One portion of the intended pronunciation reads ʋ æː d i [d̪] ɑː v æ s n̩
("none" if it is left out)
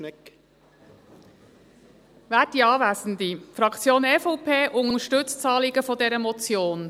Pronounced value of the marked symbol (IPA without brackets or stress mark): none